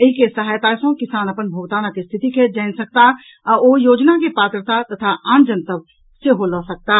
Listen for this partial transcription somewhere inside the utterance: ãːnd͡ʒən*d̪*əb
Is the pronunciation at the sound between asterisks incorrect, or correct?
incorrect